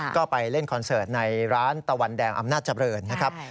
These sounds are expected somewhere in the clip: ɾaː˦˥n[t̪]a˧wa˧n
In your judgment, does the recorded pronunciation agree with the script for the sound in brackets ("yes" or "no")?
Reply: yes